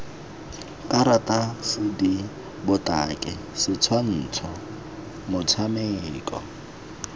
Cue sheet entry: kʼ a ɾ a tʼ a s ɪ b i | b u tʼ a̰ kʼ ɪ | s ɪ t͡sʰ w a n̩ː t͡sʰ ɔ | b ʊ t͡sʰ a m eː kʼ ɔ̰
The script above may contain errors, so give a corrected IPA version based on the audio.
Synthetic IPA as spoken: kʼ a ɾ a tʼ a s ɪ d i | b ʊ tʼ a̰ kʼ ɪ | s ɪ t͡sʰ w a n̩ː t͡sʰ ɔ | m ʊ t͡sʰ a m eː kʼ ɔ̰

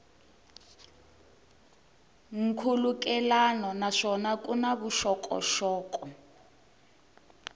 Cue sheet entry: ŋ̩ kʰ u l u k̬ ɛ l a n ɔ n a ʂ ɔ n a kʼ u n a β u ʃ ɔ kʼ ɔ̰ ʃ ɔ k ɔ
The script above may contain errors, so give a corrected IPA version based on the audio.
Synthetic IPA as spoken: ŋ̩ kʰ u l u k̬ ɛ l a n ɔ n a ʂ ɔ n a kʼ u n a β u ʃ ɔ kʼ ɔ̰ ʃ ɔː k ɔ

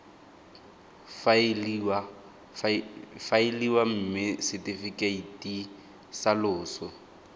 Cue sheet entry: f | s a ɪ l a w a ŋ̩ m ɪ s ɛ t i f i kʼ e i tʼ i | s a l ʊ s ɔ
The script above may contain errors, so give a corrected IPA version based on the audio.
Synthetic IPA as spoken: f | f a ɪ l i w a m̩ m ɪ s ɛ t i f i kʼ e i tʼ i | s a l ʊː s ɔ

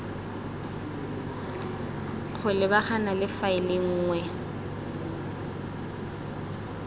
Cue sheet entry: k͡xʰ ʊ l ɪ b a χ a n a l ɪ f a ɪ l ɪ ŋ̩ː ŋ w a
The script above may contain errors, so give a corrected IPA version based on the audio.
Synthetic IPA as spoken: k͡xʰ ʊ l ɪ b a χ a n a l ɪ f a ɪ l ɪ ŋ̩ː ŋ w ɛ

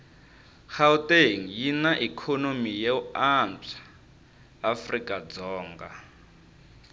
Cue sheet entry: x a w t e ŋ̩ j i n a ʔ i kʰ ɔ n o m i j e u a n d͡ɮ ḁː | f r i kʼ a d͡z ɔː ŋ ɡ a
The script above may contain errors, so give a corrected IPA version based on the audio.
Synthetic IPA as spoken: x a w t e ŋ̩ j i n a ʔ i kʰ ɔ n o m i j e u a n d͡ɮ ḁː | f r i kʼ a d͡z ɔː ŋ ɡ a

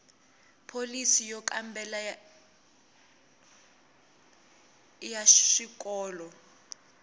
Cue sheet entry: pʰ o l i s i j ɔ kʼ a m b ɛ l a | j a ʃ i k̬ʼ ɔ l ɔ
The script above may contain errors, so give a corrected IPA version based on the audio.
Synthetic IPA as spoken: pʰ o l i s i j ɔ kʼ a m b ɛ l a | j a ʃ i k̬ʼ ɔː l ɔ

